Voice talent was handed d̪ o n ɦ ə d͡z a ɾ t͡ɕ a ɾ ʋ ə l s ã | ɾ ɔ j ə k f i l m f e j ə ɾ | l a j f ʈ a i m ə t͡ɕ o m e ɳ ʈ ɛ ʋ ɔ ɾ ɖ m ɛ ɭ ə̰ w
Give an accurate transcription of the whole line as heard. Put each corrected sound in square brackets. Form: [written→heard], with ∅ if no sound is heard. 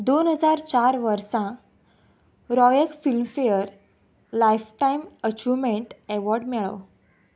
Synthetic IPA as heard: d̪ o n ɦ ə d͡z a ɾ t͡ɕ a ɾ ʋ ə [l→ɾ] s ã | ɾ ɔ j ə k f i l m f e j ə ɾ | l a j f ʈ a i m ə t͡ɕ [o→u] m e ɳ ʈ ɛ ʋ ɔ ɾ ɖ m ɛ ɭ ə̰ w